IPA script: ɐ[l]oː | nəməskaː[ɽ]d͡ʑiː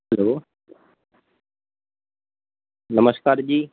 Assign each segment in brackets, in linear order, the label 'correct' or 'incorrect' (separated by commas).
correct, incorrect